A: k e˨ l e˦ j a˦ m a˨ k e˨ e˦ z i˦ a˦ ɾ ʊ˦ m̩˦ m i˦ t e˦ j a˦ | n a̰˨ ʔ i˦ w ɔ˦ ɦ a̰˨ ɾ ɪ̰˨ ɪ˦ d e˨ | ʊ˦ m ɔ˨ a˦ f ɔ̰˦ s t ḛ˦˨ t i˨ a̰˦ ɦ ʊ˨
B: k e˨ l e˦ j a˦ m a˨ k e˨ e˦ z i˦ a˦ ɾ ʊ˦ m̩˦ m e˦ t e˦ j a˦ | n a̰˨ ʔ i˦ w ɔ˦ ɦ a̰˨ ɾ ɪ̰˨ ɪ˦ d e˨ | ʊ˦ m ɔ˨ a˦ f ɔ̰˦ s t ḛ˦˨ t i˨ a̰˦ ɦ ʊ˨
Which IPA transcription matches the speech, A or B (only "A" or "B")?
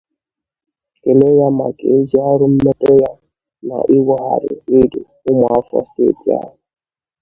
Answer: B